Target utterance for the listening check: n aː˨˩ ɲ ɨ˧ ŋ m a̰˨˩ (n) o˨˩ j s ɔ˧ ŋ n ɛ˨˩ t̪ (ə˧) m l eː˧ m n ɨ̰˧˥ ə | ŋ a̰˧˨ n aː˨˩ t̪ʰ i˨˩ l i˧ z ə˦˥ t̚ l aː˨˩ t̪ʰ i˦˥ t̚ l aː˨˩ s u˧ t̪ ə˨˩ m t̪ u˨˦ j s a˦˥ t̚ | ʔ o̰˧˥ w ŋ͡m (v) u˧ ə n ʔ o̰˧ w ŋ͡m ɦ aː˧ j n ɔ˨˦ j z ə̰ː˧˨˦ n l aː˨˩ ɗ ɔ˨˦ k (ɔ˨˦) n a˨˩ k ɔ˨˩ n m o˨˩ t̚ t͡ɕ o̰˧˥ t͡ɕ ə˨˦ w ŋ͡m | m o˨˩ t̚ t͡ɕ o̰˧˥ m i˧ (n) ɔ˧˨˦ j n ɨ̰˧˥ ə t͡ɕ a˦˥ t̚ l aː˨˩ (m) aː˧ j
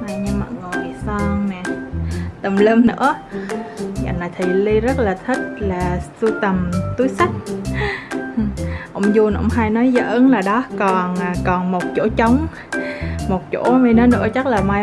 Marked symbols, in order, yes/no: no, no, no, no, yes, yes

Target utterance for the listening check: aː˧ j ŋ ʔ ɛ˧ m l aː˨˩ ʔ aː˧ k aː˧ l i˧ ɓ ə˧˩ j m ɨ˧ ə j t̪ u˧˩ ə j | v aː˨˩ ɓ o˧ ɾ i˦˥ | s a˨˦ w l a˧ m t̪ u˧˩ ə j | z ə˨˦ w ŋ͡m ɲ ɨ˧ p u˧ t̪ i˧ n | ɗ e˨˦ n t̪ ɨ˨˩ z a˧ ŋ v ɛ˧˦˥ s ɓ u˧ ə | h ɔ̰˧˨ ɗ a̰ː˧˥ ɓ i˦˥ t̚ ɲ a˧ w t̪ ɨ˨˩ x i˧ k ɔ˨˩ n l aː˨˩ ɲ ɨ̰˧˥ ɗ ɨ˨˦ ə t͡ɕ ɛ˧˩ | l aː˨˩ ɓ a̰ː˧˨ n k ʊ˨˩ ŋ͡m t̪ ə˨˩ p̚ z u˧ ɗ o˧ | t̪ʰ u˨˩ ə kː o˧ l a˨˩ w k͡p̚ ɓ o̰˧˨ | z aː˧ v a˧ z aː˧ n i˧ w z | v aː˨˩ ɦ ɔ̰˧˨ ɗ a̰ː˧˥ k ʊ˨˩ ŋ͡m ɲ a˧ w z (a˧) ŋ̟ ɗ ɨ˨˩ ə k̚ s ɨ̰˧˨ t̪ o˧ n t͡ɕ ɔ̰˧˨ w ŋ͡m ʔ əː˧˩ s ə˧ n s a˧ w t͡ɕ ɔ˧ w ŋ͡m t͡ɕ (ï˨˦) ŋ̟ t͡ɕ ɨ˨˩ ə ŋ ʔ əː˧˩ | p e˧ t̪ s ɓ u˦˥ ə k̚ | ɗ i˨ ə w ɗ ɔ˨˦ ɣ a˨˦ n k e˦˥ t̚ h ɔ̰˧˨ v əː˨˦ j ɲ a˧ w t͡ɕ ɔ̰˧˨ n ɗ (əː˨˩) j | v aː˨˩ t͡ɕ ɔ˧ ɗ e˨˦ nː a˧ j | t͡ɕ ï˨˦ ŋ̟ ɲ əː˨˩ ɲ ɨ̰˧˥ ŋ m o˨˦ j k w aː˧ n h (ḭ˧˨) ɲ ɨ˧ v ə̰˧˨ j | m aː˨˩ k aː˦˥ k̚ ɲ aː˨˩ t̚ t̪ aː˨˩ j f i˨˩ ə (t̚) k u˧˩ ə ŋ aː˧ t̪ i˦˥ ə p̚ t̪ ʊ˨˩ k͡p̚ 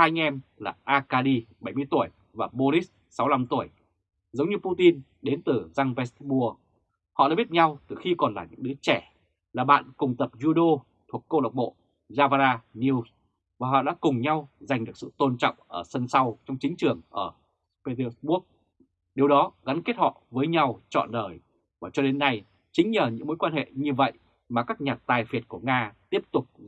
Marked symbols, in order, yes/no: no, yes, yes, no, yes

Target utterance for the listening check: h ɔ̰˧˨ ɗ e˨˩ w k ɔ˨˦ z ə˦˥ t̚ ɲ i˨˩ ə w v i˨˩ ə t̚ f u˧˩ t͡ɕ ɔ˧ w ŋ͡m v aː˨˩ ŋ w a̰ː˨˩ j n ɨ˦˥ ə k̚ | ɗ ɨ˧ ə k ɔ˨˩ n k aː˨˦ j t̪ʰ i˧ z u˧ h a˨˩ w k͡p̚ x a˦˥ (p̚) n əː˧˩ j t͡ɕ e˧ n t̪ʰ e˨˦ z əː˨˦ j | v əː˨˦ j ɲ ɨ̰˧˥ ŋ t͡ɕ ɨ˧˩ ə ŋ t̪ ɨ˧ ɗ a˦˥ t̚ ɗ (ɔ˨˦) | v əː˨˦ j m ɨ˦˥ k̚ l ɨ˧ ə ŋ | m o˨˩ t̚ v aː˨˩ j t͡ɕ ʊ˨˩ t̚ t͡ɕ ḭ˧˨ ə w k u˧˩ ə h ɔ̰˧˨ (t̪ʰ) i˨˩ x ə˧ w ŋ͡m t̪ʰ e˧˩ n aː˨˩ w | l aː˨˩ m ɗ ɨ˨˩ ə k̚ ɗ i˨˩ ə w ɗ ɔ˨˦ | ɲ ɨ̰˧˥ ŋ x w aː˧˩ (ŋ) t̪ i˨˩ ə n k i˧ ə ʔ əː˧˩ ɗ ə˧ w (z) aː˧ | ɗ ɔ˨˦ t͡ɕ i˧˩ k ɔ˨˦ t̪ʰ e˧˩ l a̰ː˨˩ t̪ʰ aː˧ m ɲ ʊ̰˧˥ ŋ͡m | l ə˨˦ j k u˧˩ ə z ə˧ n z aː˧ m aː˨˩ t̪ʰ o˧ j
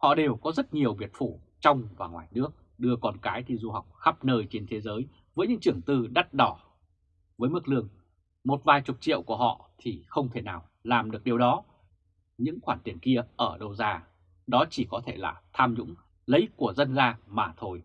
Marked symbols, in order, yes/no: yes, no, yes, no, yes

